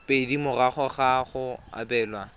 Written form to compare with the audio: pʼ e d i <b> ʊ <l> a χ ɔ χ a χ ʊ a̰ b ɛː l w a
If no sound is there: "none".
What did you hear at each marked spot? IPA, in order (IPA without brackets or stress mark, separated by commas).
m, r